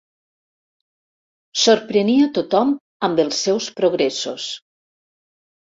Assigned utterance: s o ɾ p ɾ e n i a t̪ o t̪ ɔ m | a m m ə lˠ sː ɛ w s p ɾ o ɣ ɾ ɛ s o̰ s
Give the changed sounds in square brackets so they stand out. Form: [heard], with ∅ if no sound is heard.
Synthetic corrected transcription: s o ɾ p ɾ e n i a t̪ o t̪ ɔ m | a m [b] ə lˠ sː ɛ w s p ɾ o ɣ ɾ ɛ s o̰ s